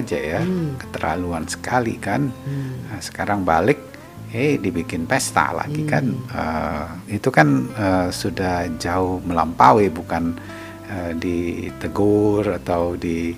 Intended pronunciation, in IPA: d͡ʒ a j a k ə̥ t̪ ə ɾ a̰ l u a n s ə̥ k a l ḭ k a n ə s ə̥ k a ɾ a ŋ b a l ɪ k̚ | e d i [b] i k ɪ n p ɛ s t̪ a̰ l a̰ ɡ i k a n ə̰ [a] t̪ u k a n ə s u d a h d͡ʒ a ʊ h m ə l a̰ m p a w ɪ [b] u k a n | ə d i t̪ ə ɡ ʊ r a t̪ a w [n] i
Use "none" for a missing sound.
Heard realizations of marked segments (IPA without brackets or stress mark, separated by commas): b, i, b, d